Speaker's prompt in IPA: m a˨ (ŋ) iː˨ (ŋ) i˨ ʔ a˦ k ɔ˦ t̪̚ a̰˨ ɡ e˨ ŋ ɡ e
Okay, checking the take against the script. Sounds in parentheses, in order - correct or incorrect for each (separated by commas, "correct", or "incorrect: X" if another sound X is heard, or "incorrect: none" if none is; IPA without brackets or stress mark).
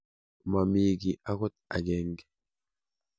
incorrect: m, incorrect: ɡ